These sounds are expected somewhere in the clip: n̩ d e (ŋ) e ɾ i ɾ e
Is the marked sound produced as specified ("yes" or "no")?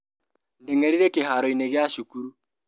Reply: yes